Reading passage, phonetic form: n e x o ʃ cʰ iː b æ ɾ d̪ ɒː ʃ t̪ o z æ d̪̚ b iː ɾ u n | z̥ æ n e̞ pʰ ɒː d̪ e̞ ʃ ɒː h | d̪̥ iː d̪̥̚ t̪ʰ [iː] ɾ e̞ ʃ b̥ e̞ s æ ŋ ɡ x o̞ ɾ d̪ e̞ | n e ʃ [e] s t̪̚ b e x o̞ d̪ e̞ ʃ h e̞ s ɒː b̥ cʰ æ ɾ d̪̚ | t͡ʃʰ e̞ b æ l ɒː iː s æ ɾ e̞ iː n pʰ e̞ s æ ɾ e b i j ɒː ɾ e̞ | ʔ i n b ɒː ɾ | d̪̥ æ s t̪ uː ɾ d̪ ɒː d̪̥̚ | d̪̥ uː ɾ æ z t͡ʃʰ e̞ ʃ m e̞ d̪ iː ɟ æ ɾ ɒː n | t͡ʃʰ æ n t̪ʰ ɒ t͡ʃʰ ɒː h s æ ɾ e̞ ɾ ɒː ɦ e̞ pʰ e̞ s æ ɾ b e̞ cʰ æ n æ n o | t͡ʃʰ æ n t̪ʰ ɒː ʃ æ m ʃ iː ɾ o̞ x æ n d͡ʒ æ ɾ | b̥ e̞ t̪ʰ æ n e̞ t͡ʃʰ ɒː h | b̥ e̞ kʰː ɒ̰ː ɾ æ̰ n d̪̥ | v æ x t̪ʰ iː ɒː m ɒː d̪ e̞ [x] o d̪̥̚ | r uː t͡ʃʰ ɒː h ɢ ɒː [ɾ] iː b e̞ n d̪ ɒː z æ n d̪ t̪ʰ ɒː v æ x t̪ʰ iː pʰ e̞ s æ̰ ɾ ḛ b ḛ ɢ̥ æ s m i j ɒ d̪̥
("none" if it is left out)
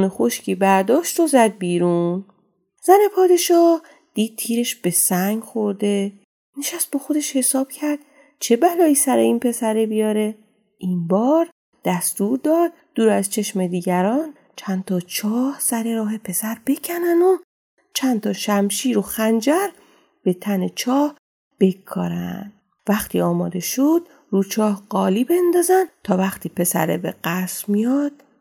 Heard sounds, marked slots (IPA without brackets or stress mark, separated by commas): iː, æ, ʃ, l